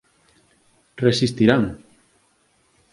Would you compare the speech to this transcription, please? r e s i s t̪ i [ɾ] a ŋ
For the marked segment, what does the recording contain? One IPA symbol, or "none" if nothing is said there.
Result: ɾ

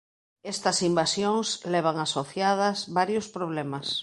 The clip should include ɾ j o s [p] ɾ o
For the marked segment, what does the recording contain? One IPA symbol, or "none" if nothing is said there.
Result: p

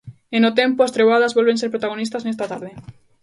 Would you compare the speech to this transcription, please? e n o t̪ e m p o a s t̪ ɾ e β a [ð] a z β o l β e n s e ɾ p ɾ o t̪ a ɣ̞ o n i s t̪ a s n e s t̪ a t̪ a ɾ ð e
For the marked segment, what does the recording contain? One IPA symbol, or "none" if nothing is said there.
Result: ð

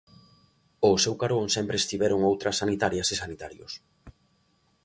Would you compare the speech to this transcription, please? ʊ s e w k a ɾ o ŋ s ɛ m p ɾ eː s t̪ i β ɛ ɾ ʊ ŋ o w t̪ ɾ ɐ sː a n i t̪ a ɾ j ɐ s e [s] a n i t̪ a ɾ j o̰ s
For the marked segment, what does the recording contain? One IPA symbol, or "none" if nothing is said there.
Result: s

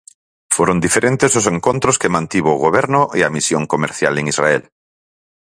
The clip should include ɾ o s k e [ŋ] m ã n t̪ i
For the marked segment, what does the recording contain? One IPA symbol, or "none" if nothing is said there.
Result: none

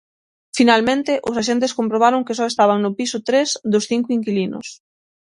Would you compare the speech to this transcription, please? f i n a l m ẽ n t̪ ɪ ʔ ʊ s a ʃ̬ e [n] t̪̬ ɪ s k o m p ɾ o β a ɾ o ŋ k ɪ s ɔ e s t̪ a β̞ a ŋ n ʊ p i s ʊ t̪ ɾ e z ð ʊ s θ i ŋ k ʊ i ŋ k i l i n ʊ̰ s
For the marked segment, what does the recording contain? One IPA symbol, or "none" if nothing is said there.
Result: n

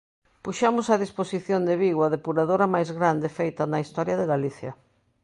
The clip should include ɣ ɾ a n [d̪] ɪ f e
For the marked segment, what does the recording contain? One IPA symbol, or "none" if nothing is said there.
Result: d̪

